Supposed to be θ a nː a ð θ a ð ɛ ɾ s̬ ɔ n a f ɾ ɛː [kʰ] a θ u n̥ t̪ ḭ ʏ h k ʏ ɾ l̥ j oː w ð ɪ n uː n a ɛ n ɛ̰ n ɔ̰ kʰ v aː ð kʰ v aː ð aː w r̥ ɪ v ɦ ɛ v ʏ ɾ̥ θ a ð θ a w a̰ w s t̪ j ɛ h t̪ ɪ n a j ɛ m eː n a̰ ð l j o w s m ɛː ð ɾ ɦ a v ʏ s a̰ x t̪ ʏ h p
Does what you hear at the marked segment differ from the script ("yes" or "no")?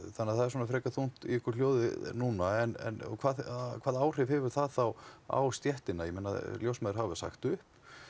yes